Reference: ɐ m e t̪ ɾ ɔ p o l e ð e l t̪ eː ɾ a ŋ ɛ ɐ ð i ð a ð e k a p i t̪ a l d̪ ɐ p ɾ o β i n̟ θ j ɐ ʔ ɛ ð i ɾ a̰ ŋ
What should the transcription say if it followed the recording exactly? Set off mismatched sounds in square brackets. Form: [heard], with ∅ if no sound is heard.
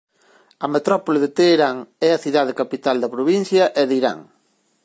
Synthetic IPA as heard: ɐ m e t̪ ɾ ɔ p o l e ð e [∅] t̪ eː ɾ a ŋ ɛ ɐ [θ] i ð a ð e k a p i t̪ a l d̪ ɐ p ɾ o β i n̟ θ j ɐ ʔ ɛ ð i ɾ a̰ ŋ